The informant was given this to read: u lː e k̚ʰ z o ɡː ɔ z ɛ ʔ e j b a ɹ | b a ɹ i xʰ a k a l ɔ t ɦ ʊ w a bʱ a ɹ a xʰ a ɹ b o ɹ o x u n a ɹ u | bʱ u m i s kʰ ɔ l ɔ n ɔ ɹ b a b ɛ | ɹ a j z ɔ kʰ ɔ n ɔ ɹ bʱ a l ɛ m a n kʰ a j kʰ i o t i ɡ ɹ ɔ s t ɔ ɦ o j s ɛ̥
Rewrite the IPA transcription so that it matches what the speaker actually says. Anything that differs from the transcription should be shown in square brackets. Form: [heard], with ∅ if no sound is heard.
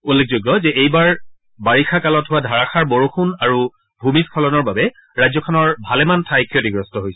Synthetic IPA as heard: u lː e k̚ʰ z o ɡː ɔ z ɛ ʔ e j b a ɹ | b a ɹ i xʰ a k a l ɔ t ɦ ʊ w a [dʱ] a ɹ a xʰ a ɹ b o ɹ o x u n a ɹ u | bʱ u m i s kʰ ɔ l ɔ n ɔ ɹ b a b ɛ | ɹ a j z ɔ kʰ ɔ n ɔ ɹ bʱ a l ɛ m a n [tʰ] a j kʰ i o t i ɡ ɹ ɔ s t ɔ ɦ o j s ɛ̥